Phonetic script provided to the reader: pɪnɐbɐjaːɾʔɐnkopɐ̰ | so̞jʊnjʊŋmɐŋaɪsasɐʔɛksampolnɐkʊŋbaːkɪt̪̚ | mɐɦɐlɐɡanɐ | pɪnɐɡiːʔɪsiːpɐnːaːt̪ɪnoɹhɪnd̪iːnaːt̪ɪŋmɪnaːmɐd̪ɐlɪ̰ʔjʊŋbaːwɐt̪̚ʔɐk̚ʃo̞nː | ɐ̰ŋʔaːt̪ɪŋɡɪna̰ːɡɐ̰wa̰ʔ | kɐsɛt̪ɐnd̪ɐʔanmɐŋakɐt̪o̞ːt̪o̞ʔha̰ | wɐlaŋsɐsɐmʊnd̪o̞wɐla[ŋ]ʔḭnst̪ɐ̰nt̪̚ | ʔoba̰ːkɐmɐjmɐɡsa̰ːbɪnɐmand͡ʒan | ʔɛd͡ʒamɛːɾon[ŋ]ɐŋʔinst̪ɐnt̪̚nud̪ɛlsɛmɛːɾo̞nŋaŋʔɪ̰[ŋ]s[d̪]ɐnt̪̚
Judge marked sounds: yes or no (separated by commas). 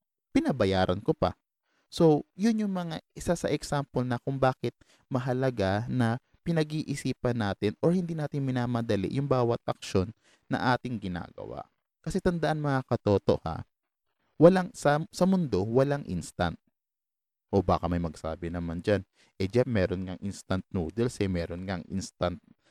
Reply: yes, yes, no, no